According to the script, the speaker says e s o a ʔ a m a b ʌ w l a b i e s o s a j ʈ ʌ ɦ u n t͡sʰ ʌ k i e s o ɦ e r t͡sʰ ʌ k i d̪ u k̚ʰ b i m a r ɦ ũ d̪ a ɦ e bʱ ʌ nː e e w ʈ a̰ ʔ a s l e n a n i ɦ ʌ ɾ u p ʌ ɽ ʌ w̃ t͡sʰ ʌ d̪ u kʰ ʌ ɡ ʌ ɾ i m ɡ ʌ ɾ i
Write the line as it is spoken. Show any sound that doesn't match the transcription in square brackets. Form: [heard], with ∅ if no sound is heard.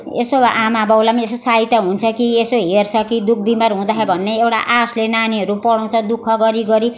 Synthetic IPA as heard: e s o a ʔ a m a b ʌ w l a [m] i e s o s a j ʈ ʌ ɦ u n t͡sʰ ʌ k i e s o ɦ e r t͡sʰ ʌ k i d̪ u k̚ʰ b i m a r ɦ ũ d̪ a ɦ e bʱ ʌ nː e e w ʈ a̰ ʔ a s l e n a n i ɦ ʌ ɾ u p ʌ ɽ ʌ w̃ t͡sʰ ʌ d̪ u kʰ ʌ ɡ ʌ ɾ i [∅] ɡ ʌ ɾ i